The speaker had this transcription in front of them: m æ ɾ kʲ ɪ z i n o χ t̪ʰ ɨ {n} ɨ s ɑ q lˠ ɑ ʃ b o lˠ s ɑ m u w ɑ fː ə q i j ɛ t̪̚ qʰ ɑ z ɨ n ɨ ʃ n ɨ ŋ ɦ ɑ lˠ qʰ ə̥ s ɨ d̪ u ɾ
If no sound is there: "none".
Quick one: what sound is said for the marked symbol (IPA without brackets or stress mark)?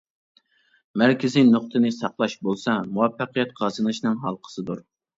n